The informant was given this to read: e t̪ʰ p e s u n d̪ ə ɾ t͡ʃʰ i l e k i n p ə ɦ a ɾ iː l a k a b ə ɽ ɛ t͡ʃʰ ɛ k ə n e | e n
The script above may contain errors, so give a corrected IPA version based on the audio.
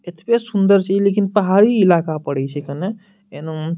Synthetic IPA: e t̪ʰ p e s u n d̪ ə ɾ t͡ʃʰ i l e k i n p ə ɦ a ɾ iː l a k a p ə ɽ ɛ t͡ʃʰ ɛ k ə n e | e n